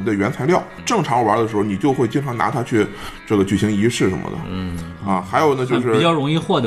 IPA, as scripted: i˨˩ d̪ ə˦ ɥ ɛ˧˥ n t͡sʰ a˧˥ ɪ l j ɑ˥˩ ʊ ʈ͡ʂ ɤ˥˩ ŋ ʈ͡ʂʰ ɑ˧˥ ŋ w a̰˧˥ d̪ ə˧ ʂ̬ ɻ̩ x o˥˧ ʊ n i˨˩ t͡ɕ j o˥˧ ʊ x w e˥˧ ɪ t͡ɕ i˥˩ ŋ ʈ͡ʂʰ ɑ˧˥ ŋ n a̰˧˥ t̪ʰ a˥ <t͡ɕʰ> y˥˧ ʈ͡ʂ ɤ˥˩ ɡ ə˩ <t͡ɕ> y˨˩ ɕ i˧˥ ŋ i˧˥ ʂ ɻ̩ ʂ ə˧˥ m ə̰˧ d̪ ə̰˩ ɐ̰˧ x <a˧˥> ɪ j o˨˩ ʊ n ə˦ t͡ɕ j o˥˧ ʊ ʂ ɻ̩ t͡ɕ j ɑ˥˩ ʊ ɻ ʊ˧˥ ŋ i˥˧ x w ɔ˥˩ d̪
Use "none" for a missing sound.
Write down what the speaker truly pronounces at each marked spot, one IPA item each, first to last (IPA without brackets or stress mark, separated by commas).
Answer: t͡ɕʰ, t͡ɕ, a˧˥